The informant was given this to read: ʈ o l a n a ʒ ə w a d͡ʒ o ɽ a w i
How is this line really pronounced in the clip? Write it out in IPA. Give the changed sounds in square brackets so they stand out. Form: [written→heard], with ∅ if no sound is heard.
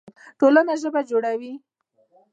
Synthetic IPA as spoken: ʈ o l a n a ʒ ə [w→b] a d͡ʒ o ɽ a w i

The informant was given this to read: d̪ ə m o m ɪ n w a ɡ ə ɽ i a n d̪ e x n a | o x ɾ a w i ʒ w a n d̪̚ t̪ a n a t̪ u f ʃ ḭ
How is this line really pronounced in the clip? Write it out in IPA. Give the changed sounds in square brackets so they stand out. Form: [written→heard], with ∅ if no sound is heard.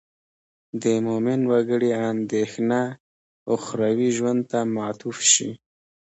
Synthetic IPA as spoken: d̪ ə m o m ɪ n w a ɡ ə ɽ i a n d̪ e x n a | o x ɾ a w i ʒ w a n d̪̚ t̪ a [n→m] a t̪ u f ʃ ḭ

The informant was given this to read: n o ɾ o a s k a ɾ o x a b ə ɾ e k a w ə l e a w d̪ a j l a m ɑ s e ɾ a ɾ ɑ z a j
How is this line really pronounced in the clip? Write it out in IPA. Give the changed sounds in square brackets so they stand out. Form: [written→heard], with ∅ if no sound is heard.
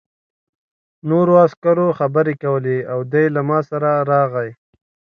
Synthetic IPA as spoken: n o ɾ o a s k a ɾ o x a b ə ɾ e k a w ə l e a w d̪ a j l a m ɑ s [e→a] ɾ a ɾ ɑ [z→ɣ] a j

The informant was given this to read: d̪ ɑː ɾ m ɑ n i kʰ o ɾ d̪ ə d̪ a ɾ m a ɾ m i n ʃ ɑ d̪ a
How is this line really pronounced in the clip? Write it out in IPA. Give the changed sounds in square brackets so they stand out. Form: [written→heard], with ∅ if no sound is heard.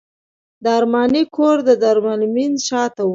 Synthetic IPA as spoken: d̪ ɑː ɾ m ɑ n i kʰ o ɾ d̪ ə d̪ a ɾ m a [ɾ→l] m i n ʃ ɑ [d̪→t̪] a

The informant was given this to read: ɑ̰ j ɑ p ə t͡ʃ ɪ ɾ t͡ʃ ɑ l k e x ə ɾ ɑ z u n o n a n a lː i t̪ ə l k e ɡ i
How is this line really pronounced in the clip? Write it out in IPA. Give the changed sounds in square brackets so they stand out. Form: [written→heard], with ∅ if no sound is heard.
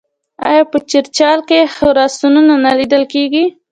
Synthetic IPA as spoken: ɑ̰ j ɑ p ə t͡ʃ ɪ ɾ t͡ʃ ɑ l k e x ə ɾ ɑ [z→s] u n [o→u] n a n a [lː→l] i [t̪→d̪] ə l k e ɡ i

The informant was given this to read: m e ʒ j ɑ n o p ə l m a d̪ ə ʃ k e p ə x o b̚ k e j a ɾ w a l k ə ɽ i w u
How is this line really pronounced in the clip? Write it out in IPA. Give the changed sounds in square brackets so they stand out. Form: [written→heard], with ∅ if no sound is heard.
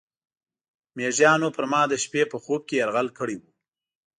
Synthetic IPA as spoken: m e ʒ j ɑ n o p ə [l→ɾ] m [a→ɑ] d̪ ə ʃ [k→p] e p ə x o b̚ k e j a ɾ [w→ɣ] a l k ə ɽ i w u

